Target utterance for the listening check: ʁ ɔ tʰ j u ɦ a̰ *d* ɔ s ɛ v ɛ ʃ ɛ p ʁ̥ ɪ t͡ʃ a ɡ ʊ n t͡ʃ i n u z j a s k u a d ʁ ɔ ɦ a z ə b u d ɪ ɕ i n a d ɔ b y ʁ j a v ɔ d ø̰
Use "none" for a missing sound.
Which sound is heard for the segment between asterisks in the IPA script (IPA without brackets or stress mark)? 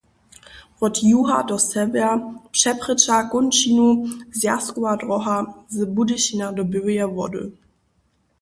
d